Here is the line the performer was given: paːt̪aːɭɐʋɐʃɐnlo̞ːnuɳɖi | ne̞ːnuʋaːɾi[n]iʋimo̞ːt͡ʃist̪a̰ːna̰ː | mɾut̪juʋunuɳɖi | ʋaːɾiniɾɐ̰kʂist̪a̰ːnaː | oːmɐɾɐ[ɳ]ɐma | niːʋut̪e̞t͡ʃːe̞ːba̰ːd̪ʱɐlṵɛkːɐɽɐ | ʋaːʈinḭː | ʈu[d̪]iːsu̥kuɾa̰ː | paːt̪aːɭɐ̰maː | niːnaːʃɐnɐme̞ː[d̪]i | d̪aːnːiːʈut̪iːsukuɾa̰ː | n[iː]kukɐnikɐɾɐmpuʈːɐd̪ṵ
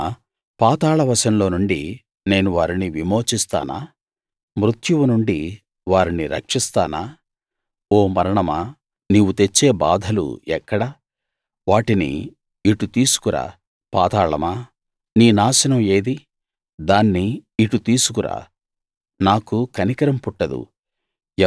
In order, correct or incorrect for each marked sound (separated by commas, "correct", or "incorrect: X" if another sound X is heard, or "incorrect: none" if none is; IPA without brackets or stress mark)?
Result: correct, correct, incorrect: t̪, correct, incorrect: aː